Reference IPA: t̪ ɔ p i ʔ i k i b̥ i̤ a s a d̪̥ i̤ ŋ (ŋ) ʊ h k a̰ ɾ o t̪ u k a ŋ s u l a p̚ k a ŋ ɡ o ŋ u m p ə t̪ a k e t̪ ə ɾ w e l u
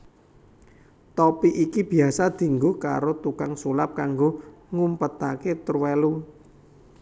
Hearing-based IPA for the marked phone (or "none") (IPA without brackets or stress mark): ɡ